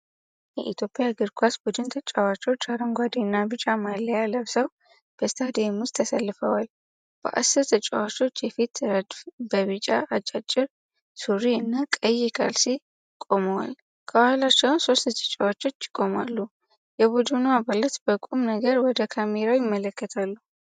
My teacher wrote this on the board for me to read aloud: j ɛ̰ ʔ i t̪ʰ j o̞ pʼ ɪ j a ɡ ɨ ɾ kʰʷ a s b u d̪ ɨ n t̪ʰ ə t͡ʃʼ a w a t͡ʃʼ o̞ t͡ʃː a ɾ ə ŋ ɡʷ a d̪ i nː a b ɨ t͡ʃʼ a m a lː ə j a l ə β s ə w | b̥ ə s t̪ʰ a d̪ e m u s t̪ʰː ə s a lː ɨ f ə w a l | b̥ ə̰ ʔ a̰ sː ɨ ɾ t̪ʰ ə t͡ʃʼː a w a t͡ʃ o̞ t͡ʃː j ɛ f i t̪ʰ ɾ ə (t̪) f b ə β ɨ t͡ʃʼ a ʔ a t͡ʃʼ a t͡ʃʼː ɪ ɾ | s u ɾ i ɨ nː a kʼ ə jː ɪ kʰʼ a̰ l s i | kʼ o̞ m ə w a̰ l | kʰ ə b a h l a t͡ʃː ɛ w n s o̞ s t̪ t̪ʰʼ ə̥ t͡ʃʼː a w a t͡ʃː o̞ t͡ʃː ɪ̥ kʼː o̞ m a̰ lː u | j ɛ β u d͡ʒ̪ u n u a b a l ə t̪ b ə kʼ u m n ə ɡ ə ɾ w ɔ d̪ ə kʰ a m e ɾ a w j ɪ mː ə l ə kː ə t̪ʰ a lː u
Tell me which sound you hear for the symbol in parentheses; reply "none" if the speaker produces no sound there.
d̪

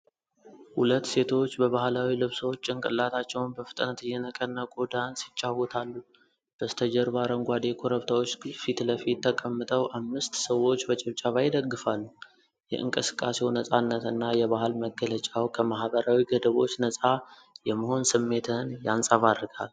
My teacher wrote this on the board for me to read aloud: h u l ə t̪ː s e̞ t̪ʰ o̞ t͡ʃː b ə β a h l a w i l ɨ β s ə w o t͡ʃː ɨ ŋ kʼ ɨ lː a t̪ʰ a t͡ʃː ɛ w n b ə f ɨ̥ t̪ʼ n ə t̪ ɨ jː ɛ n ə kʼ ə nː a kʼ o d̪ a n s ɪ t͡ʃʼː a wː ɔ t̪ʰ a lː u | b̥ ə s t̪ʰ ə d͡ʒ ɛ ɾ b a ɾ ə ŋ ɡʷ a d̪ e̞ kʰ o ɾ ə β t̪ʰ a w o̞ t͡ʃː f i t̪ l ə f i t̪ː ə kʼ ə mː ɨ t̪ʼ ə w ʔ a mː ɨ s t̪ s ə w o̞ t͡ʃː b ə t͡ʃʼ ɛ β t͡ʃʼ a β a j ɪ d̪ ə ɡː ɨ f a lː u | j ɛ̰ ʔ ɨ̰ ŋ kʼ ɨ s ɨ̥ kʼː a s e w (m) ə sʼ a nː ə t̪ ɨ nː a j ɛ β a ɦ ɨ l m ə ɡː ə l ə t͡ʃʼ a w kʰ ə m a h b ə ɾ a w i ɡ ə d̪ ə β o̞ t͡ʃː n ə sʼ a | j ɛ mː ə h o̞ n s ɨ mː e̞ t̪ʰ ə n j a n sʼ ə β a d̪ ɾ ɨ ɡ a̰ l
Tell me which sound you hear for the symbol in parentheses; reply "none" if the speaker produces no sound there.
n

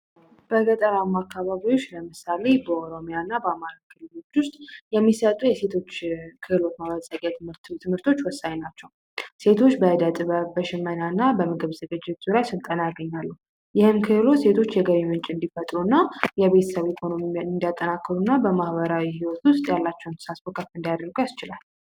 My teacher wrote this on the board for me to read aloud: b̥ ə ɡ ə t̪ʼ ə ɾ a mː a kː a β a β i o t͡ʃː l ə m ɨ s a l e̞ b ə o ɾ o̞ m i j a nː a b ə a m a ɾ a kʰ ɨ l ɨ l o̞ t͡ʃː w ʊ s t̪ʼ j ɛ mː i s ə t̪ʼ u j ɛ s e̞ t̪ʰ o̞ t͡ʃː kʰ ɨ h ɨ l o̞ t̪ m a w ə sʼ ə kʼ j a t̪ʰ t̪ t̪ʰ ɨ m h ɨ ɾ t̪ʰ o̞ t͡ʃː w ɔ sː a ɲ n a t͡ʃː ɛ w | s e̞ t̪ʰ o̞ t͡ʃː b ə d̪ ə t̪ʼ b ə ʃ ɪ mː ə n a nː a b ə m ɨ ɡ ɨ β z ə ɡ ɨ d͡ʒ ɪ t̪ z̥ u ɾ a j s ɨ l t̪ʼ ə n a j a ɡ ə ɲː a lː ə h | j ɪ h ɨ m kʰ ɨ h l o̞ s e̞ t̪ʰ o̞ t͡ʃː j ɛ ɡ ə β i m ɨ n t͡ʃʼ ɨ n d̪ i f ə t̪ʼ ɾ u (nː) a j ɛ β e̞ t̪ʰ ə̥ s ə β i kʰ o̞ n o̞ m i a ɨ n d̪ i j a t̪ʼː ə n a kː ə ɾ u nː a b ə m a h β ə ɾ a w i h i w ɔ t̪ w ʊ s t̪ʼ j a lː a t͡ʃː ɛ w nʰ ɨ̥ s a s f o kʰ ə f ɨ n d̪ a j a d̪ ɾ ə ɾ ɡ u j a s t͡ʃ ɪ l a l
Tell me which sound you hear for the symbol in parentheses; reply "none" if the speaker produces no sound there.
nː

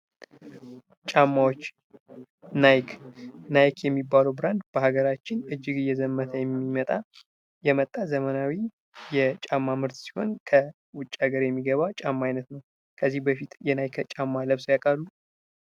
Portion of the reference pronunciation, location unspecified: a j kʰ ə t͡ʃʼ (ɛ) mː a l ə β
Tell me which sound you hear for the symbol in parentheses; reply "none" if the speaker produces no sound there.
a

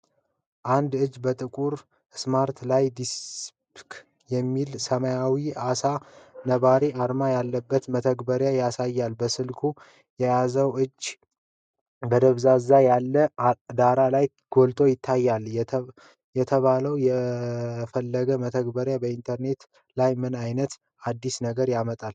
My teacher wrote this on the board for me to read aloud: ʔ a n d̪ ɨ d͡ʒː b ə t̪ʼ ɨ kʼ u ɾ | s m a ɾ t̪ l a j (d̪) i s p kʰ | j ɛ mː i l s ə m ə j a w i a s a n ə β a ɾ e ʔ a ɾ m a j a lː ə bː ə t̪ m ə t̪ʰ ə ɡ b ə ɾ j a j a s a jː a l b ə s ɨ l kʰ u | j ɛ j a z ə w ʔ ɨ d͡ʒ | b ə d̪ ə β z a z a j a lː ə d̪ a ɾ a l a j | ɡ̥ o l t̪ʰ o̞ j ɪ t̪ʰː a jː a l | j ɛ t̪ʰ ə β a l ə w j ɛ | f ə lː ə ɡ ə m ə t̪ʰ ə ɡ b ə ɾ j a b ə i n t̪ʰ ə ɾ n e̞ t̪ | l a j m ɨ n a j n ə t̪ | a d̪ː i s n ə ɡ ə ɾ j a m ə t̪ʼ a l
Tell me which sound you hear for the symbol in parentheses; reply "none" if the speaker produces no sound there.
d̪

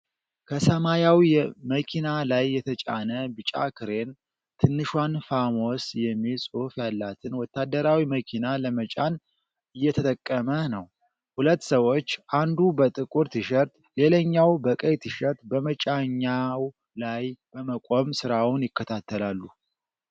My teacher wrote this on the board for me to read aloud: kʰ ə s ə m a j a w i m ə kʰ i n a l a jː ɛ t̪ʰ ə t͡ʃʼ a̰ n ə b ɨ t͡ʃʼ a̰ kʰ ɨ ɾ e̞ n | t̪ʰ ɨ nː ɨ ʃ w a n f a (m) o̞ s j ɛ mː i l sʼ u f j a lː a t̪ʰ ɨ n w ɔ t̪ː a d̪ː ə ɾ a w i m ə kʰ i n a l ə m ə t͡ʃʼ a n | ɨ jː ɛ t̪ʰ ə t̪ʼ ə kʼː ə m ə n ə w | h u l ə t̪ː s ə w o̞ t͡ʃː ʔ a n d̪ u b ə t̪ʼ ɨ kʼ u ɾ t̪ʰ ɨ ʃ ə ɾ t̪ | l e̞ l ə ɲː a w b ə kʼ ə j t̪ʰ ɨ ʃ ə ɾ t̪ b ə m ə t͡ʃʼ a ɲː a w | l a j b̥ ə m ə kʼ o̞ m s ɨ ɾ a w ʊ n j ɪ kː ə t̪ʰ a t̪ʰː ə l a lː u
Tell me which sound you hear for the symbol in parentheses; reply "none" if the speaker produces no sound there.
m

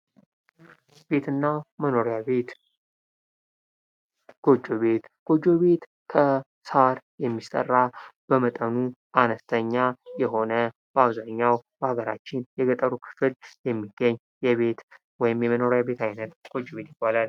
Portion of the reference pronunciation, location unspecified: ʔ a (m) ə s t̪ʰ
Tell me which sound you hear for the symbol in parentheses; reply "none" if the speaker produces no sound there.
n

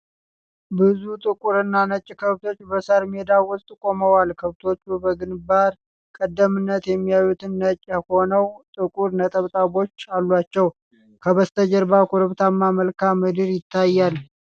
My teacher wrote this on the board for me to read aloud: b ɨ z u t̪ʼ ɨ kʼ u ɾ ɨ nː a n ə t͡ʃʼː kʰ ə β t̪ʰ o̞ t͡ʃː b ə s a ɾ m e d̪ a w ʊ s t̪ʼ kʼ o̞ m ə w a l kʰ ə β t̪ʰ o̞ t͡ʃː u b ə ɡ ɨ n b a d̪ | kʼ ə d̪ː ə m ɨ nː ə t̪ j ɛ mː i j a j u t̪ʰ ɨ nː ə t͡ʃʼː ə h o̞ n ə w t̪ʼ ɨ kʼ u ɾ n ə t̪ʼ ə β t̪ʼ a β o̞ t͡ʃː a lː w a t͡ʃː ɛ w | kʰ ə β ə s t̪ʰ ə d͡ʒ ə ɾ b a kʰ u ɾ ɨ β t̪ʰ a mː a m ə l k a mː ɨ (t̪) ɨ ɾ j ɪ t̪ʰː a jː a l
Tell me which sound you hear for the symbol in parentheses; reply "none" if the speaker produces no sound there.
d̪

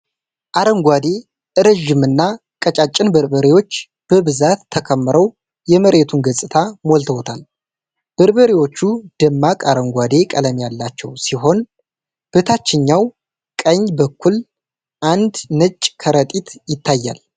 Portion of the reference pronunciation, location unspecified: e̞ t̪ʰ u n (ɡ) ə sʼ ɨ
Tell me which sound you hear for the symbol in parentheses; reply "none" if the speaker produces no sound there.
ɡ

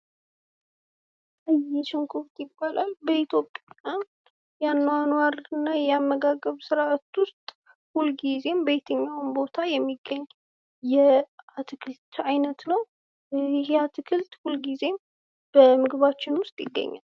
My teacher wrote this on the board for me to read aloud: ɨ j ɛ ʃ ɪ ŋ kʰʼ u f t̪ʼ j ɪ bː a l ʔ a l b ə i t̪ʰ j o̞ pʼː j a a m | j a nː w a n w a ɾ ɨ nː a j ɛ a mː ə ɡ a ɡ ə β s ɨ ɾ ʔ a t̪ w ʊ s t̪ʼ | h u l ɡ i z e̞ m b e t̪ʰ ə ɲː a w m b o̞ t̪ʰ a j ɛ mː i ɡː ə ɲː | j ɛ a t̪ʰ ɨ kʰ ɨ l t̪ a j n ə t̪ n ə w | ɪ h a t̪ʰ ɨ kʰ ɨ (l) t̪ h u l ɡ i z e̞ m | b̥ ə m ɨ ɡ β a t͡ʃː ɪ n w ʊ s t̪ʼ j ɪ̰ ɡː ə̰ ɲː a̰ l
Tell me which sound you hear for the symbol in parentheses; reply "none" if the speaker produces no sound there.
l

